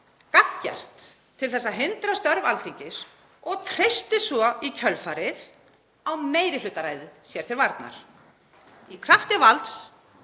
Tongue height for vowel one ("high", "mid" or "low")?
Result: low